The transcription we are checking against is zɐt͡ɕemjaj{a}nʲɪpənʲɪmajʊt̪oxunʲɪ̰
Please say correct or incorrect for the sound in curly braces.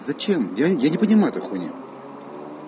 correct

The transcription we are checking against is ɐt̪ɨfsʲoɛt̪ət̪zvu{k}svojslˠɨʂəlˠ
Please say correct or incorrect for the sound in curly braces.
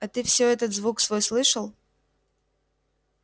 correct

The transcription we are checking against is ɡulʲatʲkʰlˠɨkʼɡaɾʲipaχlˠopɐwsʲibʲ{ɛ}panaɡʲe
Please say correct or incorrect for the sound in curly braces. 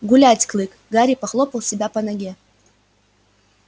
incorrect: a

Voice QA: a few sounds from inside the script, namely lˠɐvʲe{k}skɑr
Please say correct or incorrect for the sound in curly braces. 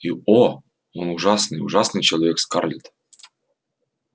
correct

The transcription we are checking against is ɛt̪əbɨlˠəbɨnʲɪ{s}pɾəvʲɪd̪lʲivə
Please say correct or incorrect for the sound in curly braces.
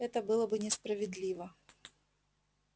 correct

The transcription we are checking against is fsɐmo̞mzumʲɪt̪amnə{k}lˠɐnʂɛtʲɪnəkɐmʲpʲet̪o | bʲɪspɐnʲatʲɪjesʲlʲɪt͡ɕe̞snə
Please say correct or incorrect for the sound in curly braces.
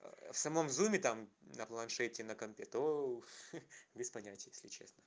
incorrect: p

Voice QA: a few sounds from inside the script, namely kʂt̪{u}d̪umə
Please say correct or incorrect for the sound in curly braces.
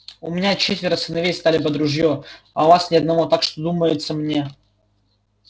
incorrect: o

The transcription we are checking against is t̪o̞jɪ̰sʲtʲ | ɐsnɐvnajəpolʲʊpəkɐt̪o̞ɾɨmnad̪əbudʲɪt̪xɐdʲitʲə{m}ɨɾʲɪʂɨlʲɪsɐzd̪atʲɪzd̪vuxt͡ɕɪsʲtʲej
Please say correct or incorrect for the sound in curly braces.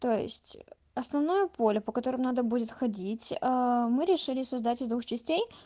correct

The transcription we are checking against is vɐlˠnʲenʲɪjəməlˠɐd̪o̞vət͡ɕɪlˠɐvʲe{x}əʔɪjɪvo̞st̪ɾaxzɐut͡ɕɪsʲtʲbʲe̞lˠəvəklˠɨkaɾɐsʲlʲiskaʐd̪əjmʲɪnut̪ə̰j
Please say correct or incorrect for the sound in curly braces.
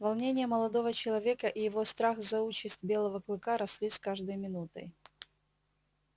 incorrect: k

